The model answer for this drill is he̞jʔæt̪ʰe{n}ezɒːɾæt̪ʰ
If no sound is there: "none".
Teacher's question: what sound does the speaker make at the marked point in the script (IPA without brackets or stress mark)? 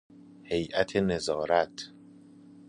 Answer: n